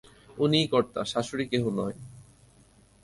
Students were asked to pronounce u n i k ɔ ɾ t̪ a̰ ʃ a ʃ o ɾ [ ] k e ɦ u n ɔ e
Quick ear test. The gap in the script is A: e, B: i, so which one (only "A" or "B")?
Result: B